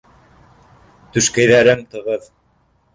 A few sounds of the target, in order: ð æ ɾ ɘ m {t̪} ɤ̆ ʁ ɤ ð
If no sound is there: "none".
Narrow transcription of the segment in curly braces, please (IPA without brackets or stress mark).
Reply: t̪